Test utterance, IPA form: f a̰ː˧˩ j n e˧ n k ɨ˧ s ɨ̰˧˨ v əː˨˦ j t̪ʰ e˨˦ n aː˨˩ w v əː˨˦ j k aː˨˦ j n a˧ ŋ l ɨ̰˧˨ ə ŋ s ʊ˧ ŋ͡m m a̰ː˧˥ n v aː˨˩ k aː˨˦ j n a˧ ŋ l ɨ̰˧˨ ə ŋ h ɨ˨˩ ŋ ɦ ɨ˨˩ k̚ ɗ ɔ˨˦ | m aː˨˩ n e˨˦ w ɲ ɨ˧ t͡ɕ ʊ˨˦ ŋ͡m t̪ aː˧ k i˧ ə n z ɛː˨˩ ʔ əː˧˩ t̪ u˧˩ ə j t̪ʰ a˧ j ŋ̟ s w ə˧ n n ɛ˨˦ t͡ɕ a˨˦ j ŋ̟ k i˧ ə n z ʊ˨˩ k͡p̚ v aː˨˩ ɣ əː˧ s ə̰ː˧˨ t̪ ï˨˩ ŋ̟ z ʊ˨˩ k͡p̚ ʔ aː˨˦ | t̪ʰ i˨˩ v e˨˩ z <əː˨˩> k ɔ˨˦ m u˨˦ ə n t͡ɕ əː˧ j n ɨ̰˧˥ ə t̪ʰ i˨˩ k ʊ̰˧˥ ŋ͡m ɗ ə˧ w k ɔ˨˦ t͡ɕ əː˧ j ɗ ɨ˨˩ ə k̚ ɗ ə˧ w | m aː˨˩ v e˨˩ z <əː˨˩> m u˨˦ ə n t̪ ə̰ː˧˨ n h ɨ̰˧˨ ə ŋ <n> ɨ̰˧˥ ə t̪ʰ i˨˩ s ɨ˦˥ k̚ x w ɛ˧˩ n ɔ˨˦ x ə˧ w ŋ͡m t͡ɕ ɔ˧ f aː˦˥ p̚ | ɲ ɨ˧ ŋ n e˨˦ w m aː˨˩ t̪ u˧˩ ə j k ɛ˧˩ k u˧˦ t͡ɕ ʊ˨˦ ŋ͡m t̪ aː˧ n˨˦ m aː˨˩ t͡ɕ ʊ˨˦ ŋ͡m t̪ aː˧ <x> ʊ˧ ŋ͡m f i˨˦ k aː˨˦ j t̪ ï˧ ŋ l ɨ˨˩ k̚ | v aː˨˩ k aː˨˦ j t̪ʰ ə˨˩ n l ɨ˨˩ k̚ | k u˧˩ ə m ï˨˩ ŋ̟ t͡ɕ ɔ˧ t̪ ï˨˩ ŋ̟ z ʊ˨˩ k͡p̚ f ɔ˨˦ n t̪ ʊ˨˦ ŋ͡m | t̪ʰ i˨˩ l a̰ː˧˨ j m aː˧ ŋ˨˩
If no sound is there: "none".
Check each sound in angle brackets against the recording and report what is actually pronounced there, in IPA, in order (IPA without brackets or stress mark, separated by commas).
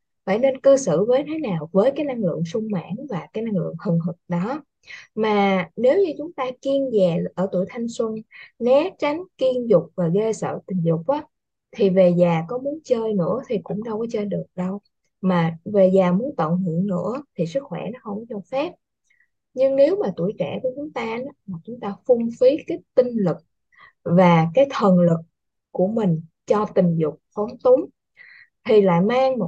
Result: aː˨˩, aː˨˩, n, f